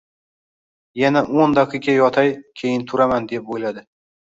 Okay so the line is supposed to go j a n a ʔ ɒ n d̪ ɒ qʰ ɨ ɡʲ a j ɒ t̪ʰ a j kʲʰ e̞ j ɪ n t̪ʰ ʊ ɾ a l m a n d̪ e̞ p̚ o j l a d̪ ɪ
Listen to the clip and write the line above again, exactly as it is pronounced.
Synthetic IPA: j a n a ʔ o n d̪ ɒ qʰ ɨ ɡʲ a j ɒ t̪ʰ a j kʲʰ e̞ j ɪ n t̪ʰ ʊ ɾ a m a n d̪ e̞ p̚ o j l a d̪ ɪ